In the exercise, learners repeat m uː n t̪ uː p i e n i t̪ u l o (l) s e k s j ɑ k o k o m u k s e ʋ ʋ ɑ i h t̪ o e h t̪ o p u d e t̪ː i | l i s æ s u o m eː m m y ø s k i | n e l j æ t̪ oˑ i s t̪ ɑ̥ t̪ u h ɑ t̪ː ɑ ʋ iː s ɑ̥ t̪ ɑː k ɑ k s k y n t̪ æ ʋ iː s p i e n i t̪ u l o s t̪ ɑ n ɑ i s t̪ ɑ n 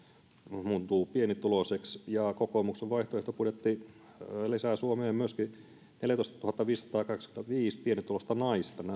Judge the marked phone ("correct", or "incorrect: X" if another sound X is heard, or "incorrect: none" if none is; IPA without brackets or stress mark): incorrect: none